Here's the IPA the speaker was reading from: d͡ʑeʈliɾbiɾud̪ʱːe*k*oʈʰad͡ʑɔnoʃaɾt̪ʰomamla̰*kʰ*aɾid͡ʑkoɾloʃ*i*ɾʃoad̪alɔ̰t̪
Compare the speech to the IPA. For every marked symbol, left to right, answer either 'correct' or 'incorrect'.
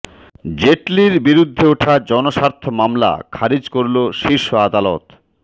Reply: incorrect: none, correct, correct

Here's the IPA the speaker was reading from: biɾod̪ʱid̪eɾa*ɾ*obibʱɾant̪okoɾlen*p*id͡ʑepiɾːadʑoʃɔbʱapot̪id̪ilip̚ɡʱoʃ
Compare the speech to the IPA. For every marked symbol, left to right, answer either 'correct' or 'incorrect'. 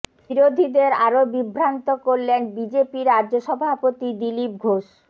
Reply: correct, incorrect: b

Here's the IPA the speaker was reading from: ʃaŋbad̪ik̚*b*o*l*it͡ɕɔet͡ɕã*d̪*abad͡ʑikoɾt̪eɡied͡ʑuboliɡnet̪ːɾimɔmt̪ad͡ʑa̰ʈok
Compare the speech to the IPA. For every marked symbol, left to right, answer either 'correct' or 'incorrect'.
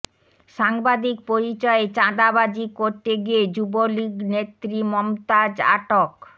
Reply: incorrect: p, incorrect: ɾ, correct

